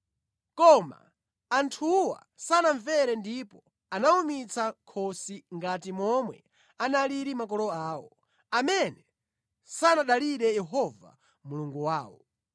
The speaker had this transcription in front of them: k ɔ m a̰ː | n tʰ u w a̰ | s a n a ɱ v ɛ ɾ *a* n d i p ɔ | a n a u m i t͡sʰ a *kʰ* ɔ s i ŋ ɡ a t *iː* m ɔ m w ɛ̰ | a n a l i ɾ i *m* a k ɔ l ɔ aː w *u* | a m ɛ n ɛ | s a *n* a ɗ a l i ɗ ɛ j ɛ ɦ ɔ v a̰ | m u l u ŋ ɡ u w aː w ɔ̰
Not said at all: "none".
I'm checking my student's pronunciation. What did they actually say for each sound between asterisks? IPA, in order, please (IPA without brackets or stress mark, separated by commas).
ɛ, kʰ, i, m, ɔ, n